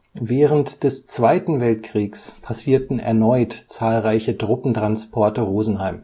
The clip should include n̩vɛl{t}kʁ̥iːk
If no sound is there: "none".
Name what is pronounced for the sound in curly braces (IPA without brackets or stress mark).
t